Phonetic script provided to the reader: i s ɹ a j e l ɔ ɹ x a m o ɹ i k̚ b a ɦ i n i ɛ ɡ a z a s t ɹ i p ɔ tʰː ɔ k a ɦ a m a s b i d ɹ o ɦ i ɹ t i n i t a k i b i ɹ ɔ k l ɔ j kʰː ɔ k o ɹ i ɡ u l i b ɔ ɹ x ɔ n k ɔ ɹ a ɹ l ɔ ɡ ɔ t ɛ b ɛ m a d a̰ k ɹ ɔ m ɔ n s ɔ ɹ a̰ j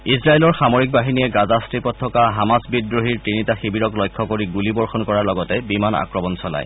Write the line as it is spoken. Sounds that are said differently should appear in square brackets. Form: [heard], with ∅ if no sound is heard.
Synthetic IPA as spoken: i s ɹ a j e l ɔ ɹ x a m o ɹ i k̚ b a ɦ i n i ɛ ɡ a z a s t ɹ i p ɔ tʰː ɔ k a ɦ a m a s b i d ɹ o ɦ i ɹ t i n i t a [x] i b i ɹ ɔ k l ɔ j kʰː ɔ k o ɹ i ɡ u l i b ɔ ɹ x ɔ n k ɔ ɹ a ɹ l ɔ ɡ ɔ t ɛ b [i] m a [n] a̰ k ɹ ɔ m ɔ n s ɔ [l] a̰ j